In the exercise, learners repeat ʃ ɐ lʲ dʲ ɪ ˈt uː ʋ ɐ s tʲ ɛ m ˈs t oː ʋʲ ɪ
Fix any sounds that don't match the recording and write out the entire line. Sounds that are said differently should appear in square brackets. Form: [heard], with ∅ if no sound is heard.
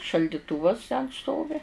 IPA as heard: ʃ ɐ lʲ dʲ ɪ ˈt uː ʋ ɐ s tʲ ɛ [n] ˈs t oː ʋʲ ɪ

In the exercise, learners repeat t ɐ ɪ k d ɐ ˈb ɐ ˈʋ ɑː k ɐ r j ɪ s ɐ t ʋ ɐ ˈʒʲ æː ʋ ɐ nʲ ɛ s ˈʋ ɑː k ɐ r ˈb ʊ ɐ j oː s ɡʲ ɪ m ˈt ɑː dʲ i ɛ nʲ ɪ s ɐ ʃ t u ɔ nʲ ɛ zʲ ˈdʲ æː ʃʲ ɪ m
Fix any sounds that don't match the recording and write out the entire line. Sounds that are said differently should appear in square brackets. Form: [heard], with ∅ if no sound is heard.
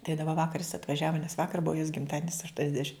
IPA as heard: t ɐ ɪ [∅] d ɐ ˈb ɐ ˈʋ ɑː k ɐ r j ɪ s ɐ t ʋ ɐ ˈʒʲ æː ʋ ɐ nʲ ɛ s ˈʋ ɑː k ɐ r ˈb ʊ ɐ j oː s ɡʲ ɪ m ˈt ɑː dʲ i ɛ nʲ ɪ s ɐ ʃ t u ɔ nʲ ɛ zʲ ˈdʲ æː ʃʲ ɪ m

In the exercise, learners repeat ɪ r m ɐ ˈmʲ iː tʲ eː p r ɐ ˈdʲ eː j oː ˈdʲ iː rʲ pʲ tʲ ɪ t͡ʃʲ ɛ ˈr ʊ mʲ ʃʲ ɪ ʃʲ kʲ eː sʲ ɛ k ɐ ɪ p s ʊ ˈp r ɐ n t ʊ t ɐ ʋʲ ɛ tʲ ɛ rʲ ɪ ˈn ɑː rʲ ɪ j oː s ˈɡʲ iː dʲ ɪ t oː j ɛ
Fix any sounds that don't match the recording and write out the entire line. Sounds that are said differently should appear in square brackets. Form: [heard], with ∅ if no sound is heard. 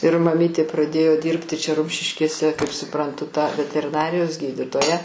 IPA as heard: ɪ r m ɐ ˈmʲ iː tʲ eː p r ɐ ˈdʲ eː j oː ˈdʲ iː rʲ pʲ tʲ ɪ t͡ʃʲ ɛ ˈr ʊ mʲ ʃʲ ɪ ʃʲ kʲ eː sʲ ɛ k ɐ ɪ p s ʊ ˈp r ɐ n t ʊ t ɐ ʋʲ ɛ tʲ ɛ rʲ ɪ ˈn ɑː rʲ ɪ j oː s ˈɡʲ iː dʲ ɪ t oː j ɛ

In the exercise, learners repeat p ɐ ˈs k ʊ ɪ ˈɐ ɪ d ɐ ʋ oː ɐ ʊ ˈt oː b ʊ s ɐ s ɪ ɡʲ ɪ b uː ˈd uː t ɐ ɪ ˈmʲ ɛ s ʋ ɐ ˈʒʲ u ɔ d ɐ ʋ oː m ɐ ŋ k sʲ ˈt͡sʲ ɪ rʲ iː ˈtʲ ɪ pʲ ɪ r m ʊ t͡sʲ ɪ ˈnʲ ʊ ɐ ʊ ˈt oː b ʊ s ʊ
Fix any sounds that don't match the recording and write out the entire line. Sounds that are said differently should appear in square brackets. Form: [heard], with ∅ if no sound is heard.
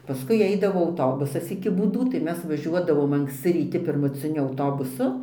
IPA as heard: p ɐ ˈs k ʊ ɪ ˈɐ ɪ d ɐ ʋ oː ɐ ʊ ˈt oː b ʊ s ɐ s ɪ [kʲ] ɪ b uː ˈd uː t ɐ ɪ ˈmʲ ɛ s ʋ ɐ ˈʒʲ u ɔ d ɐ ʋ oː m ɐ ŋ k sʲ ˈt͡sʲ ɪ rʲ iː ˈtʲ ɪ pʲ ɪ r m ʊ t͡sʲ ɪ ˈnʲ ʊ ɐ ʊ ˈt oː b ʊ s ʊ

